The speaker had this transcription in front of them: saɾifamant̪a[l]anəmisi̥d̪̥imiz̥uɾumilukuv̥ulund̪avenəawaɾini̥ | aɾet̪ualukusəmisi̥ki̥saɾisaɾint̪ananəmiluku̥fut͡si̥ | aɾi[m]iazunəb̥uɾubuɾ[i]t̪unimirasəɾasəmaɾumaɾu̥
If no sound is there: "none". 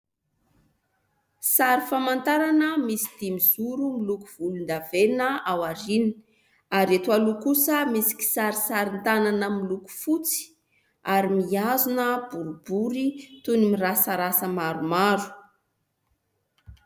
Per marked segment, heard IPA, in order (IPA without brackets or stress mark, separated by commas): ɾ, m, i